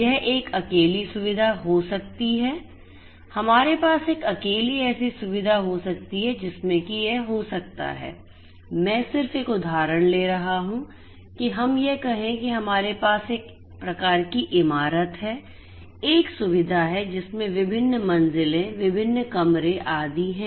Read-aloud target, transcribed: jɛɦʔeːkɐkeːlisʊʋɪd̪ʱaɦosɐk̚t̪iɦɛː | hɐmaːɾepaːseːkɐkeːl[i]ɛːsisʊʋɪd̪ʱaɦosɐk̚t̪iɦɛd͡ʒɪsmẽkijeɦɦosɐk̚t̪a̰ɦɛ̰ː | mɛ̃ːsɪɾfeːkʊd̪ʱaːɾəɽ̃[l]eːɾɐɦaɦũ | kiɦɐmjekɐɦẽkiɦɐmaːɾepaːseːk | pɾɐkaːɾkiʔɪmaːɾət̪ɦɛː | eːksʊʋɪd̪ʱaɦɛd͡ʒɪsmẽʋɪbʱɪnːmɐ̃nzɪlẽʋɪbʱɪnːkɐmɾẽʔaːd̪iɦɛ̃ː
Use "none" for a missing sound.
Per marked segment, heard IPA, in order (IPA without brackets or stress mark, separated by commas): i, l